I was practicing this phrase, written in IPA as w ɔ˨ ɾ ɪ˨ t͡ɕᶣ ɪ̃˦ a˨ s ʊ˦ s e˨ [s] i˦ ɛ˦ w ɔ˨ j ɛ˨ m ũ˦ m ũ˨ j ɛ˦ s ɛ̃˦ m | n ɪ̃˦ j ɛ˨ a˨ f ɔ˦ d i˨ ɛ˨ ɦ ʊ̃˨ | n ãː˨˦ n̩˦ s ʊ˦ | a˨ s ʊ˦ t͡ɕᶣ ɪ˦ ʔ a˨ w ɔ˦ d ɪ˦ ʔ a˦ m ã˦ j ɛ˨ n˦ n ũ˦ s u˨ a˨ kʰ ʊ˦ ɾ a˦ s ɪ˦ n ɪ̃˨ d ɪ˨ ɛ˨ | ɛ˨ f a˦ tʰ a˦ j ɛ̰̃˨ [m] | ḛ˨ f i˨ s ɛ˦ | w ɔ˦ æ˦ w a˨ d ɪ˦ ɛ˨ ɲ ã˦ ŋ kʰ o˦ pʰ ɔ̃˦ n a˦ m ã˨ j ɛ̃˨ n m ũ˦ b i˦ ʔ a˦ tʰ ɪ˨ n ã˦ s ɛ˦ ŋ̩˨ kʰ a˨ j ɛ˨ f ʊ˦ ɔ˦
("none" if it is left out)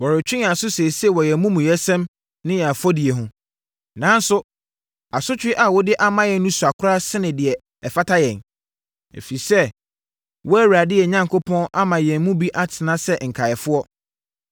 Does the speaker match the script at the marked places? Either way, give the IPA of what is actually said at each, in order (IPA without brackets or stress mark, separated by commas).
s, n